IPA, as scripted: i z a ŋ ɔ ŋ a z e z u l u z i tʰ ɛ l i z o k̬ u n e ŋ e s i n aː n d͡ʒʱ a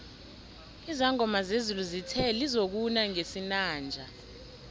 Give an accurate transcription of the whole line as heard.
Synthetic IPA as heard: i z a ŋ ɔ m a z e z u l u z i tʰ ɛ l i z o k̬ u n a ŋ e s i n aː n d͡ʒʱ a

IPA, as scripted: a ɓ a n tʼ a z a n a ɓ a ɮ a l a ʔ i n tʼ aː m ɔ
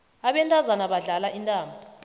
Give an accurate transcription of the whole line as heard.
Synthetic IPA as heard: a ɓ ɛ n tʼ a z a n a ɓ a ɮ a l a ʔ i n tʼ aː m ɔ

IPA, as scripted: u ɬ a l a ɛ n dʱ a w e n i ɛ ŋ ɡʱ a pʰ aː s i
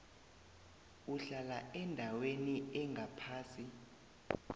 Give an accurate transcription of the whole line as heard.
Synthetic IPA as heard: u ɬ a l a ɛ n dʱ a w e n i ɛ ŋ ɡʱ a pʰ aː s i

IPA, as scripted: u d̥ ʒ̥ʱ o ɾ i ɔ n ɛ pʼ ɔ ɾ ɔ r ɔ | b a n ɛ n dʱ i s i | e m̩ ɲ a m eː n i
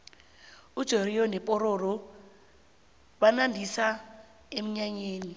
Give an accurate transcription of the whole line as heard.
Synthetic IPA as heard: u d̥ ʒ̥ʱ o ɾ i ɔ n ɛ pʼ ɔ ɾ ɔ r ɔ | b a n a n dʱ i s a | e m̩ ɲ a ɲ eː n i

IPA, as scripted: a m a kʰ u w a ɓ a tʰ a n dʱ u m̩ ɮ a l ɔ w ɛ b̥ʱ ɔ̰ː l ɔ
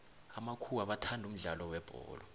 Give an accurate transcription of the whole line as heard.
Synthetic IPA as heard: a m a kʰ u w a ɓ a tʰ a n dʱ u m̩ ɮ a l ɔ w ɛ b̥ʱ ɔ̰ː l ɔ

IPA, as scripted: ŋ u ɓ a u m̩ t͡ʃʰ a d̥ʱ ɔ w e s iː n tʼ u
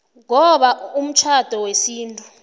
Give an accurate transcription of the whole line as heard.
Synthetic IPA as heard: ŋ ɔ ɓ a u m̩ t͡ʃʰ a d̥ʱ ɔ w e s iː n tʼ u

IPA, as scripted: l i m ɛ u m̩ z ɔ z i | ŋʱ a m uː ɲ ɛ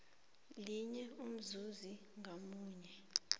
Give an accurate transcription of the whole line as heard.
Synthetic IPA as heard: l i ɲ ɛ u m̩ z u z i | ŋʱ a m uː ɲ ɛ

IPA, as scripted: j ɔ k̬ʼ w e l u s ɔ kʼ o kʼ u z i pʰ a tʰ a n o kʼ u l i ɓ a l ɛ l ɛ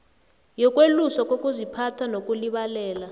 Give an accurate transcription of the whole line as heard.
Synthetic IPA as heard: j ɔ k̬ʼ w e l u s ɔ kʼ o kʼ u z i pʰ a tʰ a n o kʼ u l i ɓ a l ɛː l a

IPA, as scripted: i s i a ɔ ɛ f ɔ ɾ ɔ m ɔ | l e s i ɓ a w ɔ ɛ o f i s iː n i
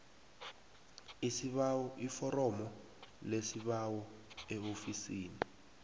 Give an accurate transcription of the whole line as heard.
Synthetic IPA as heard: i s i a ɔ i f ɔ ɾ ɔ m ɔ | l e s i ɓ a w ɔ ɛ o f i s iː n i

